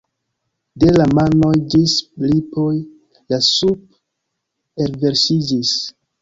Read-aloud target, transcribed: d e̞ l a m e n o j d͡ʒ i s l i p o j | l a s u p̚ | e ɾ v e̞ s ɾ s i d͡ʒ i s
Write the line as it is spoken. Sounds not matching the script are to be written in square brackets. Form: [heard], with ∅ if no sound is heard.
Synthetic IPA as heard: d e̞ l a m [a] n o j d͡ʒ i s l i p o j | l a s u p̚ | e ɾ v e̞ [∅] ɾ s i d͡ʒ i s